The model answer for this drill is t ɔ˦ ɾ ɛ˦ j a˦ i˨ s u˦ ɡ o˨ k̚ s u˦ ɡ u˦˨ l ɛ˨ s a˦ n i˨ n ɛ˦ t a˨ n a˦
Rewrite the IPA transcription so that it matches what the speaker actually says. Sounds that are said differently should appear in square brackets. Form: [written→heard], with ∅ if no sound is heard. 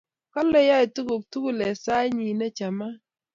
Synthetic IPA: [t→k] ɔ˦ [ɾ→l] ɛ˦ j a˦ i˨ [s→t] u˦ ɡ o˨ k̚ [s→t] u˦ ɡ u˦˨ l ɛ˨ s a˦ [n→ɲ] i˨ n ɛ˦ [t→t͡ʃ] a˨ [n→m] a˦